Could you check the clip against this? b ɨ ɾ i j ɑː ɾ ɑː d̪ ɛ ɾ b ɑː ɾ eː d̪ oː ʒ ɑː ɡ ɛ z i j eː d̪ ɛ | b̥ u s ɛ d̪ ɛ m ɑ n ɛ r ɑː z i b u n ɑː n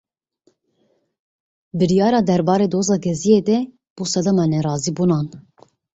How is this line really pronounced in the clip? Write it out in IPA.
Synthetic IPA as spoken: b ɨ ɾ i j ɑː ɾ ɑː d̪ ɛ ɾ b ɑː ɾ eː d̪ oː z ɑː ɡ ɛ z i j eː d̪ ɛ | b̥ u s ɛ d̪ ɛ m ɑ n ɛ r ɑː z i b u n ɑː n